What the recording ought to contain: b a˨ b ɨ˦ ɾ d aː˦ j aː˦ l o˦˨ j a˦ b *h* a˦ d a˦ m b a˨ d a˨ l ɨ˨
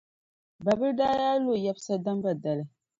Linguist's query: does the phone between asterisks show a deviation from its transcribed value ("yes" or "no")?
yes